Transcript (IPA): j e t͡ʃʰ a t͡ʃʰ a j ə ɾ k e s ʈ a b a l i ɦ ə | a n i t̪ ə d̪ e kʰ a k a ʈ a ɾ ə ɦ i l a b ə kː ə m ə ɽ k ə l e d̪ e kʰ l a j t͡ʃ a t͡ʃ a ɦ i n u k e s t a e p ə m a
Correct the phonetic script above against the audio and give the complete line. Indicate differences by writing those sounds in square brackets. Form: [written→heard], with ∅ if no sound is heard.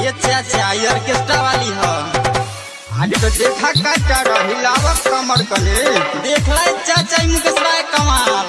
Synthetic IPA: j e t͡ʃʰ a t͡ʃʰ a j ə ɾ k e s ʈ a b a l i ɦ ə | a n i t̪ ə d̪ e kʰ a k a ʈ a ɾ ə ɦ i l a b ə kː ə m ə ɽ k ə l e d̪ e kʰ l a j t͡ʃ a t͡ʃ a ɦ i [n→m] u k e s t a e [p→k] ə m a